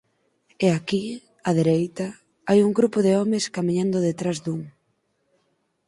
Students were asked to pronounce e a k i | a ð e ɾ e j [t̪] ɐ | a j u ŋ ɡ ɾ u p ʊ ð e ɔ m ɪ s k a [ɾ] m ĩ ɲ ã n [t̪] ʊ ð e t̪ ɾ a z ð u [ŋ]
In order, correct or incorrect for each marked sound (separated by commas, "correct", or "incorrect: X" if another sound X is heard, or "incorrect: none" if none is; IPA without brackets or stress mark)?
correct, incorrect: none, incorrect: d̪, correct